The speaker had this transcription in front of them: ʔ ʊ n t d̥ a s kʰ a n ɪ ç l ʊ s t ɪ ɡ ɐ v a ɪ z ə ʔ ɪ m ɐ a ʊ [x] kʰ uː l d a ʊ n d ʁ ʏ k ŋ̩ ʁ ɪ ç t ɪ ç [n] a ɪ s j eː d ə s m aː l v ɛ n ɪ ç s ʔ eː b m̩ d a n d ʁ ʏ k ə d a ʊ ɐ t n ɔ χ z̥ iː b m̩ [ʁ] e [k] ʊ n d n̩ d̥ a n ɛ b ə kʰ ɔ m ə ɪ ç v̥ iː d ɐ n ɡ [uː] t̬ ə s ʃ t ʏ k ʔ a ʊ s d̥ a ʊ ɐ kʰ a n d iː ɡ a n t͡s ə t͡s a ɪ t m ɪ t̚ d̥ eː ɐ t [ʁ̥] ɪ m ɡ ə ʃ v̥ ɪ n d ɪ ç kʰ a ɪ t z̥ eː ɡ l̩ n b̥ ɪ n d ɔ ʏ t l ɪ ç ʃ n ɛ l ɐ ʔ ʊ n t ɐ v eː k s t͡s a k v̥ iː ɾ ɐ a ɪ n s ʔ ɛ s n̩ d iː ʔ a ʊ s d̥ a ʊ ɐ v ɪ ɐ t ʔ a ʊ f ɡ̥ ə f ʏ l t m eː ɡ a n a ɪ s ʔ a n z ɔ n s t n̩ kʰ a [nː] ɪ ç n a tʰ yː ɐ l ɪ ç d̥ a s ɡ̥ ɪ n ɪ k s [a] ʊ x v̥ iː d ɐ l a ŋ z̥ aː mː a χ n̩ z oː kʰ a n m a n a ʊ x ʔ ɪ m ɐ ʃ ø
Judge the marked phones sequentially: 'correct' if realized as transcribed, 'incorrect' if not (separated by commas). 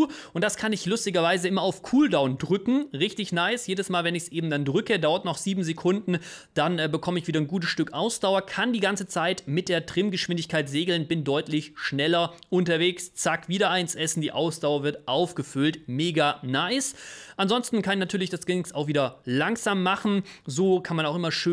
incorrect, correct, incorrect, incorrect, correct, correct, incorrect, correct